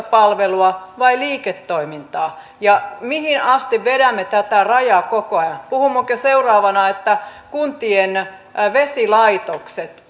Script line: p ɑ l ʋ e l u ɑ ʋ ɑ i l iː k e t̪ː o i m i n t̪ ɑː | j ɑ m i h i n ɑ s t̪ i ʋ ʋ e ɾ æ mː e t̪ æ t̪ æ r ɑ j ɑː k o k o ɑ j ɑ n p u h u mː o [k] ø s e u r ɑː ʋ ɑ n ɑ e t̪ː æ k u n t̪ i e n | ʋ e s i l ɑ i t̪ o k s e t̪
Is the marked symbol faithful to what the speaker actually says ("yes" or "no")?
yes